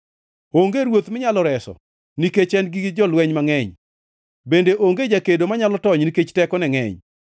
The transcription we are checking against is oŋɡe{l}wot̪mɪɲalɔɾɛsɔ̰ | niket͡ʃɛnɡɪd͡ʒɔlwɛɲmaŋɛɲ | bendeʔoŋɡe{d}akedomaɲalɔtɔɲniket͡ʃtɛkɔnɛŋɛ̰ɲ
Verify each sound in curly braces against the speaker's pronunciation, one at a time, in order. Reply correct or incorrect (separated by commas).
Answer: incorrect, incorrect